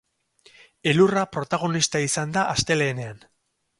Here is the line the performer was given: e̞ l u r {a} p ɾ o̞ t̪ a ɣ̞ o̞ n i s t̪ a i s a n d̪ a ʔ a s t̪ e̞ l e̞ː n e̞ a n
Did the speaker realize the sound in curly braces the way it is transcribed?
yes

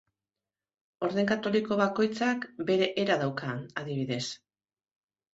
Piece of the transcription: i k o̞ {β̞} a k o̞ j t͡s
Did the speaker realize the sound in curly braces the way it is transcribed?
yes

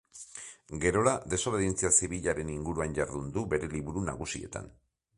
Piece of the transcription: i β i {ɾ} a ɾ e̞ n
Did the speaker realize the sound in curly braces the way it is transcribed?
no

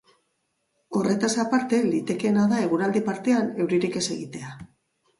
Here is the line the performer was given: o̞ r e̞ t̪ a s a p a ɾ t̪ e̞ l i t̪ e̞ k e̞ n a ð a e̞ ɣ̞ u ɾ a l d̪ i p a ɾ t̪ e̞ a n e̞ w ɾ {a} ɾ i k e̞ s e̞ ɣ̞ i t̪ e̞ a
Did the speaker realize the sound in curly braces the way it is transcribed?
no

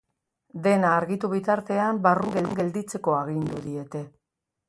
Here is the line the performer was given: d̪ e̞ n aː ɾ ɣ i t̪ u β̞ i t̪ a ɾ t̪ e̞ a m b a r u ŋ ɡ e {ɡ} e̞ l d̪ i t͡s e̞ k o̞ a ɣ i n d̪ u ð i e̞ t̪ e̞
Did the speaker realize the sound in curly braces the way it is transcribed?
yes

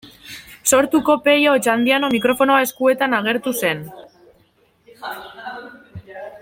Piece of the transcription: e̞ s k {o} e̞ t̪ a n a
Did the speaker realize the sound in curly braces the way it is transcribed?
no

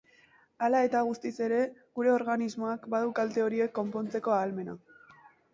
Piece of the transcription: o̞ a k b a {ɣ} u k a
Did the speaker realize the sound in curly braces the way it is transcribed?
no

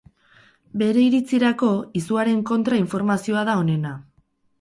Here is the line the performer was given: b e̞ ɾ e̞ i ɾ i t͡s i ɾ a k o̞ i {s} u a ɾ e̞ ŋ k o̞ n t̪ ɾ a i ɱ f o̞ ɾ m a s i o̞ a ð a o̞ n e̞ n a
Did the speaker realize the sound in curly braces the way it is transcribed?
yes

